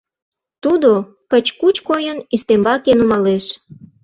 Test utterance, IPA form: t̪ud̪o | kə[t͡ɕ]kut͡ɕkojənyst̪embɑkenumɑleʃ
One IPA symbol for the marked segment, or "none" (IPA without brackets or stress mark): t͡ɕ